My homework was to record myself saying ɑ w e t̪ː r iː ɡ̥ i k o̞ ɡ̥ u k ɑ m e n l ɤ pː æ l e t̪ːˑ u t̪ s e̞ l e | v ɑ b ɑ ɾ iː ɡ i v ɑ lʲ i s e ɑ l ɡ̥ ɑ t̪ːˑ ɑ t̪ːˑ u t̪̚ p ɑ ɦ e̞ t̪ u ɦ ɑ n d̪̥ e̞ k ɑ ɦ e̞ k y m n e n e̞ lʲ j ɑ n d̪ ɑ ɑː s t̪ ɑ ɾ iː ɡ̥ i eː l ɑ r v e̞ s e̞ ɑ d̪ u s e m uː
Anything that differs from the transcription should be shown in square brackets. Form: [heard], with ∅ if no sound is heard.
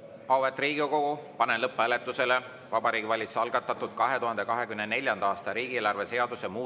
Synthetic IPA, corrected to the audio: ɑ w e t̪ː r iː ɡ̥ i k o̞ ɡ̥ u [p] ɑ [n] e n l ɤ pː æ l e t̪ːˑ u [∅] s e̞ l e | v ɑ b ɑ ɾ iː ɡ i v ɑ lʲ i s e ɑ l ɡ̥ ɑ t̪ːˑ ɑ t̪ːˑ u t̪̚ [k] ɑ ɦ e̞ t̪ u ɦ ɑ n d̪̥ e̞ k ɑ ɦ e̞ k y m n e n e̞ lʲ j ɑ n d̪ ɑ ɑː s t̪ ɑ ɾ iː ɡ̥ i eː l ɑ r v e̞ s e̞ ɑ d̪ u s e m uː